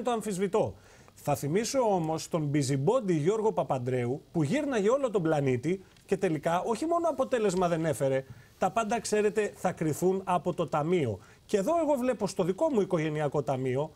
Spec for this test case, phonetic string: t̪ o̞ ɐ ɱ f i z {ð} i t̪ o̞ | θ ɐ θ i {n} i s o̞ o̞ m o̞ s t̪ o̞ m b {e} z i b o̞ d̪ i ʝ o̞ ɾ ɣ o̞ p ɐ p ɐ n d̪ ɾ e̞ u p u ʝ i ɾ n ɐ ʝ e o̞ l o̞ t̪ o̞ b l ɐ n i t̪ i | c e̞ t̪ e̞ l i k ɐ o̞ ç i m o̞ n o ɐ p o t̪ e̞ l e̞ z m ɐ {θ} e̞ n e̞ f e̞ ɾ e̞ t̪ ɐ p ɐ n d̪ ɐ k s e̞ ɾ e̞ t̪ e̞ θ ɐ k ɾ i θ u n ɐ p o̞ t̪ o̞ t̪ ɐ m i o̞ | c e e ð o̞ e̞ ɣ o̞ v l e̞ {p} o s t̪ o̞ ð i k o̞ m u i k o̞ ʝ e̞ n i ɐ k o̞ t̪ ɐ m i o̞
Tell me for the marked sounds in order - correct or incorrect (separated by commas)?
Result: incorrect, incorrect, incorrect, incorrect, correct